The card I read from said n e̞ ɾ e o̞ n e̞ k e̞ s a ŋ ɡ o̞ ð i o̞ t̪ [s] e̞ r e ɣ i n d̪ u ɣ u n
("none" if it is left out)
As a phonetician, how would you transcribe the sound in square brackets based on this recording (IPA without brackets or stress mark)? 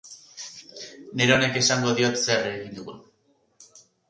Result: s